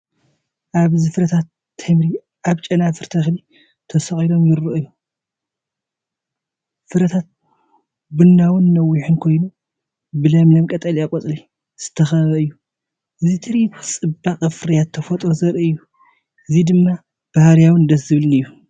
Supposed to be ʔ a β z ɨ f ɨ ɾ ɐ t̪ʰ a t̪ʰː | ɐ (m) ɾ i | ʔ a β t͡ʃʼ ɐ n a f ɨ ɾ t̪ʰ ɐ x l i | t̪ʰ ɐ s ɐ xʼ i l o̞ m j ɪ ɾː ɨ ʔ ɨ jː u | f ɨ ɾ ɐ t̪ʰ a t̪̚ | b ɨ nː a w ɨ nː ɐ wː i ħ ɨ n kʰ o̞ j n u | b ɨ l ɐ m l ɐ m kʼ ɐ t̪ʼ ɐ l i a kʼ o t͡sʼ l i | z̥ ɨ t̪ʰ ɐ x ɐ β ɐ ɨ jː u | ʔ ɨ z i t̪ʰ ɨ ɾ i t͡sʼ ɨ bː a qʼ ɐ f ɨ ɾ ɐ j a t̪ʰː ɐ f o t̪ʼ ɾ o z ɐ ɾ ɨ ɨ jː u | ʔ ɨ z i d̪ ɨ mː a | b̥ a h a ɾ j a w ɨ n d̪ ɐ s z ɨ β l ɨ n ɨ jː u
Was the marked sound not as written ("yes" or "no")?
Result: no